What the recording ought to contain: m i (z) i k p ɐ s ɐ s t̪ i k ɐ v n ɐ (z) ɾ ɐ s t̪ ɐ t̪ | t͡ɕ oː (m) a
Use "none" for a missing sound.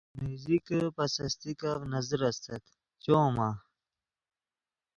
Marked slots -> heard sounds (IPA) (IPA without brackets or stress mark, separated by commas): z, z, m